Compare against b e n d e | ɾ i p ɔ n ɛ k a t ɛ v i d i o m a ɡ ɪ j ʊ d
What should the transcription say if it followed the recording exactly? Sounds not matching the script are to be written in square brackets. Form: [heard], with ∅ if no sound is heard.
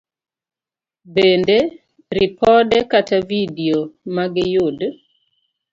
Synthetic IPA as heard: b e n d e | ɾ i p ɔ [d] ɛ k a t [a] v i d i o m a ɡ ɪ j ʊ d